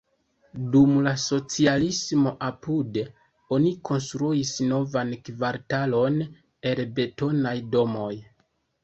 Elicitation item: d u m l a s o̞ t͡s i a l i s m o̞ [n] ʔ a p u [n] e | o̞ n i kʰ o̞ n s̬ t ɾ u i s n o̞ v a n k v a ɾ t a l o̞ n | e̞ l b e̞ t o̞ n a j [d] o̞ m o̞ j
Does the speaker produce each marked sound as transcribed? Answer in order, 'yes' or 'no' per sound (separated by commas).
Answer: no, no, yes